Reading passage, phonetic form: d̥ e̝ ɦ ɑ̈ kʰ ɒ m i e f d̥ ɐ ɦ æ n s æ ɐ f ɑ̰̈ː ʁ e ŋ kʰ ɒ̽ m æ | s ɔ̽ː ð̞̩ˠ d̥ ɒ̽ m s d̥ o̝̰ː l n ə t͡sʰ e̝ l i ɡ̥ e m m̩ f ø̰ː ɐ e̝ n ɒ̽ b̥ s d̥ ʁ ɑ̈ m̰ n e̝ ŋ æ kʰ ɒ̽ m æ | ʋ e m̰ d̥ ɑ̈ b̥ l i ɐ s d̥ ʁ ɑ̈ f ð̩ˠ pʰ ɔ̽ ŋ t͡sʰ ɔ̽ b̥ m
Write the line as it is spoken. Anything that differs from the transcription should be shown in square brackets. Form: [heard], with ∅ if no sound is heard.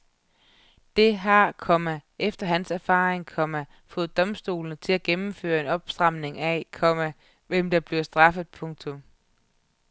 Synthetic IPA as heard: d̥ e̝ ɦ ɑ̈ kʰ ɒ m [æ] e f d̥ ɐ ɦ æ n s æ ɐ f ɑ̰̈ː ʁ e ŋ kʰ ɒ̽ m æ | [f] ɔ̽ː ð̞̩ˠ d̥ ɒ̽ m s d̥ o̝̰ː l n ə t͡sʰ e̝ l [æ] ɡ̥ e m m̩ f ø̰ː ɐ e̝ n ɒ̽ b̥ s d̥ ʁ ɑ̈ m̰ n e̝ ŋ æ kʰ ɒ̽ m æ | ʋ e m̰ d̥ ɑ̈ b̥ l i ɐ s d̥ ʁ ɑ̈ f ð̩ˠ pʰ ɔ̽ ŋ t͡sʰ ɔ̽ [∅] m